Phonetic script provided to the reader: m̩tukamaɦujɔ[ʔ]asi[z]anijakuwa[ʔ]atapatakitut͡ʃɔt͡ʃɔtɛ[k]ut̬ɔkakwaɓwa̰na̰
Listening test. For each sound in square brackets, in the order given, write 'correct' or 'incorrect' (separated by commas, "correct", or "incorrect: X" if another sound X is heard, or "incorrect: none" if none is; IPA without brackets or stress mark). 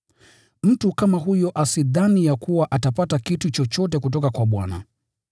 correct, incorrect: ð, correct, correct